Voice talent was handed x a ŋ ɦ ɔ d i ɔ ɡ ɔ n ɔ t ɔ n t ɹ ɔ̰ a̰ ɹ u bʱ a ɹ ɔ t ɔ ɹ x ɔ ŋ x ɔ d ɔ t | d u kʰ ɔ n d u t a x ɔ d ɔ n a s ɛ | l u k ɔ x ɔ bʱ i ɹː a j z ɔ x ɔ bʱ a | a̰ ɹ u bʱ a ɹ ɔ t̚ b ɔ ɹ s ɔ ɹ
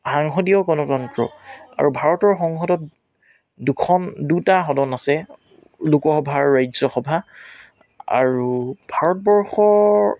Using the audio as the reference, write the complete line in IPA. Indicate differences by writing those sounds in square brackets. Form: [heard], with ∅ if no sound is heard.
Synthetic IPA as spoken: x a ŋ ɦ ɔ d i ɔ ɡ ɔ n ɔ t ɔ n t ɹ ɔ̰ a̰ ɹ u bʱ a ɹ ɔ t ɔ ɹ x ɔ ŋ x ɔ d ɔ t | d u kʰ ɔ n d u t a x ɔ d ɔ n a s ɛ | l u k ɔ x ɔ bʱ [a] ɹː a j z ɔ x ɔ bʱ a | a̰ ɹ u bʱ a ɹ ɔ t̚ b ɔ ɹ [x] ɔ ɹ